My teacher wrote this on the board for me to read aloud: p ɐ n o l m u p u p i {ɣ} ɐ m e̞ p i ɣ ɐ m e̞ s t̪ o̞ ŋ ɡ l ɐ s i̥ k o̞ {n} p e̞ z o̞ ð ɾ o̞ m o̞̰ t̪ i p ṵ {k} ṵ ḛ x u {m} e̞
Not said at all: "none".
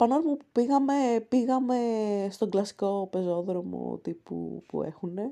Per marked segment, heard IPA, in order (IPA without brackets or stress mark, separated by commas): ɣ, none, p, n